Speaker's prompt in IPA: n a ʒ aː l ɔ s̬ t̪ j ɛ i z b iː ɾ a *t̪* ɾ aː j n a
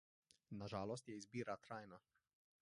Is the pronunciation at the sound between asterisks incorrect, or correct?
correct